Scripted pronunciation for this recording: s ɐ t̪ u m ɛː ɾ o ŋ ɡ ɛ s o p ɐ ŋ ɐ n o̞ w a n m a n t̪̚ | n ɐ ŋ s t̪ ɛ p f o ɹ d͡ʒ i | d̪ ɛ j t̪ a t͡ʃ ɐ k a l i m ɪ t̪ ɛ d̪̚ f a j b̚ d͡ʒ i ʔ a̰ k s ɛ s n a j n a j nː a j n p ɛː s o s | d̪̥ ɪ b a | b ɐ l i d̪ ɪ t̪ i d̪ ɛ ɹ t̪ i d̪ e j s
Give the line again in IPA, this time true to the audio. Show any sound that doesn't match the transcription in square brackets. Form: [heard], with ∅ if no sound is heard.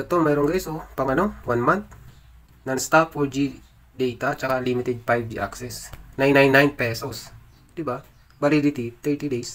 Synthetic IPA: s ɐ t̪ [o] m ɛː ɾ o ŋ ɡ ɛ s o p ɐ ŋ ɐ n o̞ w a n m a n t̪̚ | n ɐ ŋ s t̪ [a] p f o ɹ d͡ʒ i | d̪ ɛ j t̪ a t͡ʃ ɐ k a l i m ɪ t̪ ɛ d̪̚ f a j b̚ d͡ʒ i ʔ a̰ k s ɛ s n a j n a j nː a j n p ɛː s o s | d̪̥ ɪ b a | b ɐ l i d̪ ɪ t̪ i [t̪] ɛ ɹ t̪ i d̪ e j s